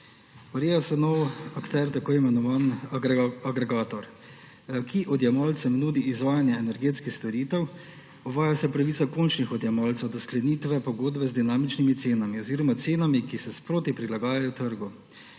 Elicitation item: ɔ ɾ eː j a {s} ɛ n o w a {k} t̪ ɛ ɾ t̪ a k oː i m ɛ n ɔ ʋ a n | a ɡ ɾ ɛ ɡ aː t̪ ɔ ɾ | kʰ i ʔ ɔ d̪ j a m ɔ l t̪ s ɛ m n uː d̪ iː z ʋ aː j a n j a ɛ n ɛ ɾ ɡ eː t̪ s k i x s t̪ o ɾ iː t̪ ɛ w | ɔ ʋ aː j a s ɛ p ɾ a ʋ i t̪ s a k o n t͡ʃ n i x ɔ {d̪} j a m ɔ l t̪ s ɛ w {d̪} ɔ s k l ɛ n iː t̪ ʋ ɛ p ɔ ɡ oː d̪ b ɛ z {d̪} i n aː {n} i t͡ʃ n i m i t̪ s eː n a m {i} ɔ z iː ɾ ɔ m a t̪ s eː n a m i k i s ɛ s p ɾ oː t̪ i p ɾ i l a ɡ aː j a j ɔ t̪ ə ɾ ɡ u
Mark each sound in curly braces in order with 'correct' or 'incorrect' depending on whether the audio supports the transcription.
correct, correct, correct, correct, correct, incorrect: m, correct

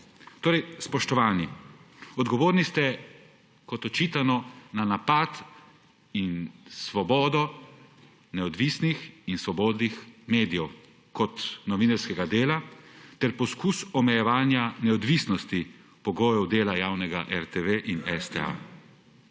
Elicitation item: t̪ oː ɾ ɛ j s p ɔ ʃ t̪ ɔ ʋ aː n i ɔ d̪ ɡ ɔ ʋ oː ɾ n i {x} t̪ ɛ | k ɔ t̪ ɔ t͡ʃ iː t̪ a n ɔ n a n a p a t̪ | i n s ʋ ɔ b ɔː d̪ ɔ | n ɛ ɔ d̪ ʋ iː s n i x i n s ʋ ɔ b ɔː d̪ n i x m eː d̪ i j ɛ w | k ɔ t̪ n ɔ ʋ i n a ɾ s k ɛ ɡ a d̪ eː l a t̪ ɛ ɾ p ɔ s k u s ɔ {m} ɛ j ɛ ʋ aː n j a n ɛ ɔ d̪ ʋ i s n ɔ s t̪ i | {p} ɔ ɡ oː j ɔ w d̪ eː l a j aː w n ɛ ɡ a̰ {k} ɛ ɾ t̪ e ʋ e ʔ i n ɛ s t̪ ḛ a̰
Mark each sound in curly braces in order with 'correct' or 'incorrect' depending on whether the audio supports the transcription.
incorrect: s, correct, correct, incorrect: ʔ

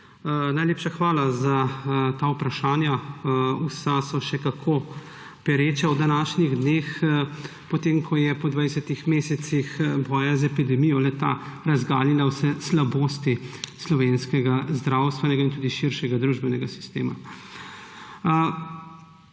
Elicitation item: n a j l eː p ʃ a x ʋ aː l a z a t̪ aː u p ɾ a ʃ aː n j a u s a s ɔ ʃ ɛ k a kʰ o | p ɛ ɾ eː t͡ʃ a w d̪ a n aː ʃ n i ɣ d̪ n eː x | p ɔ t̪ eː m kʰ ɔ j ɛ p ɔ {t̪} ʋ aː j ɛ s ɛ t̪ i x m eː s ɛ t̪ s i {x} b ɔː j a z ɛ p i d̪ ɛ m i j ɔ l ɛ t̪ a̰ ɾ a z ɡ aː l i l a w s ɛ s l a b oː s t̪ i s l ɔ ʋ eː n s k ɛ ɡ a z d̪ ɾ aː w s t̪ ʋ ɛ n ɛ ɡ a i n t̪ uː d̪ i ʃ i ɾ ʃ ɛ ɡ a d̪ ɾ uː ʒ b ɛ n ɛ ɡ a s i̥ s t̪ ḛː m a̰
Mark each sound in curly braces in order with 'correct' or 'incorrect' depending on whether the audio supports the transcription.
incorrect: d̪, correct

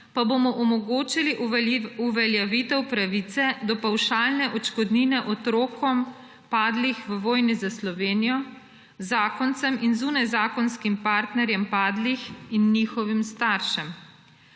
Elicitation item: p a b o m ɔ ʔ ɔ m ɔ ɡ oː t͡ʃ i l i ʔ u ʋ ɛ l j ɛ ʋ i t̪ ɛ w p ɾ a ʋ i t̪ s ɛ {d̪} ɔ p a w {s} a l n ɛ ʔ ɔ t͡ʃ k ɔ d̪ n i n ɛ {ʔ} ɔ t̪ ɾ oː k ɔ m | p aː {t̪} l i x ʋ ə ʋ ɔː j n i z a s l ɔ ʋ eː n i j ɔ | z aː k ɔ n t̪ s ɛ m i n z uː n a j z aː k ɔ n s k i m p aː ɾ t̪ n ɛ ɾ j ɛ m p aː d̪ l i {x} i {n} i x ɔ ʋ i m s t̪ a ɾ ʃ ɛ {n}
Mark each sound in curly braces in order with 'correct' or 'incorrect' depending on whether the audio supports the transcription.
correct, incorrect: ʃ, correct, incorrect: d̪, correct, incorrect: nː, incorrect: m

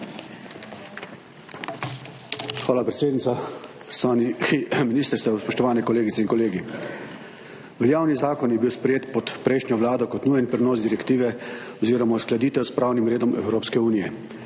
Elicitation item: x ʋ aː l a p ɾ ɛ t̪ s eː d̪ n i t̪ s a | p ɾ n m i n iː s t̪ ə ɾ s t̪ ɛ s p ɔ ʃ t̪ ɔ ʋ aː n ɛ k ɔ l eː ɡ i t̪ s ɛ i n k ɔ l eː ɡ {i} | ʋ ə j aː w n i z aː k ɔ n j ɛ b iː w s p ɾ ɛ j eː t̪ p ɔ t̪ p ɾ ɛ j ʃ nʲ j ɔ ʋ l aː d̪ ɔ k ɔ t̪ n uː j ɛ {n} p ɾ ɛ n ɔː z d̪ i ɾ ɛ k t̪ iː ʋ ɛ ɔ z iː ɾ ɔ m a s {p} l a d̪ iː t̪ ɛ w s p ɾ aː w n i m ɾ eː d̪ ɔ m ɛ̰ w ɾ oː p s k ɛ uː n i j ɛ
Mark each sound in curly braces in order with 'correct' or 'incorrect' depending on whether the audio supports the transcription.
correct, correct, incorrect: k

